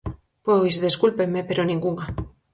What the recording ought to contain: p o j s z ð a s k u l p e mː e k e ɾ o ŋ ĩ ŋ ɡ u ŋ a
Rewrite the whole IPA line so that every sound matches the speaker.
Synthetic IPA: p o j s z ð e s k u l p e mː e p e ɾ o n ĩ ŋ ɡ u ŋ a

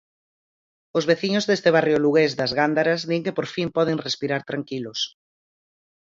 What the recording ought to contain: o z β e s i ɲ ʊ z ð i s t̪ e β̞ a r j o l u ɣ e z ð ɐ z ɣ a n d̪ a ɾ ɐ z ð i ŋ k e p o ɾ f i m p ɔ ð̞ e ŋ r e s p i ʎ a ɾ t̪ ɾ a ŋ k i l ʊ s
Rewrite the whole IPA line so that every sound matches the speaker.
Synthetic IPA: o z β e θ i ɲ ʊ z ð e s t̪ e β̞ a r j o l u ɣ e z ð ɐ z ɣ a n d̪ a ɾ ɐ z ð i ŋ k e p o ɾ f i m p ɔ ð̞ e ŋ r e s p i ɾ a ɾ t̪ ɾ a ŋ k i l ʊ s

